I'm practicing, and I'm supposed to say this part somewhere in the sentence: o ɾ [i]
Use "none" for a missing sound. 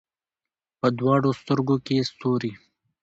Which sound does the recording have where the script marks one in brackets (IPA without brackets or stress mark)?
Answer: i